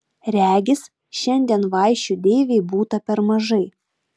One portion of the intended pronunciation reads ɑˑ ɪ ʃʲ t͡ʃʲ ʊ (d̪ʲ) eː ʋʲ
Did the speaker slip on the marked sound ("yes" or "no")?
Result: no